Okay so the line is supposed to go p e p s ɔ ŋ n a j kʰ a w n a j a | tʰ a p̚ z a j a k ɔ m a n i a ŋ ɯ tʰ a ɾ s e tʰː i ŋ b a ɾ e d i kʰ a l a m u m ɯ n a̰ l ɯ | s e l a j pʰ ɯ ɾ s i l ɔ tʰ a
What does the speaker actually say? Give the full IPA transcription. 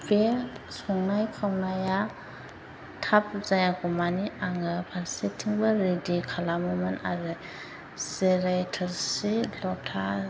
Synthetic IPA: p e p s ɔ ŋ n a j kʰ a w n a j a | tʰ a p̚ z a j a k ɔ m a n i a ŋ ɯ pʰ a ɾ s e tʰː i ŋ b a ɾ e d i kʰ a l a m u m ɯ n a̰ ɾ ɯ | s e ɾ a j tʰ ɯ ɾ s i l ɔ tʰ a